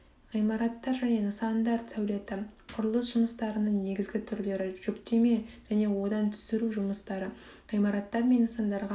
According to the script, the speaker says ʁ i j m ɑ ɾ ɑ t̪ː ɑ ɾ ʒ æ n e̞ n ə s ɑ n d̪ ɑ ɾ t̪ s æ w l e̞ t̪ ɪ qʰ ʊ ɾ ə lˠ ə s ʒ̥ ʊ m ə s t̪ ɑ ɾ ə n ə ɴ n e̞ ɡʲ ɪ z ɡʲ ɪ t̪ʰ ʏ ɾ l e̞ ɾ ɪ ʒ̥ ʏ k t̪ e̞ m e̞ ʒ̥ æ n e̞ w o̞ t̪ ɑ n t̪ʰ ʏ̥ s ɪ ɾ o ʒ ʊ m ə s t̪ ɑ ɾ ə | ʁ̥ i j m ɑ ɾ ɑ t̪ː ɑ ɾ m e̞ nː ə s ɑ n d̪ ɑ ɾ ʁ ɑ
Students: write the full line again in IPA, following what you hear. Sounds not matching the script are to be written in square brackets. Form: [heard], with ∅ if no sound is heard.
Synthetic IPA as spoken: ʁ i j m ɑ ɾ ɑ t̪ː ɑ ɾ ʒ æ n e̞ n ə s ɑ n d̪ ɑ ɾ t̪ s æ w l e̞ t̪ ɪ qʰ ʊ ɾ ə lˠ ə s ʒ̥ ʊ m ə s t̪ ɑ ɾ ə n ə ɴ n e̞ ɡʲ ɪ z ɡʲ ɪ t̪ʰ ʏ ɾ l e̞ ɾ ɪ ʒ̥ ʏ k t̪ e̞ m e̞ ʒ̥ æ n e̞ w o̞ [d̪] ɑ n t̪ʰ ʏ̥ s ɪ ɾ [u] ʒ ʊ m ə s t̪ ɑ ɾ ə | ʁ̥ i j m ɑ ɾ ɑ t̪ː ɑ ɾ m e̞ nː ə s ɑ n d̪ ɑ ɾ ʁ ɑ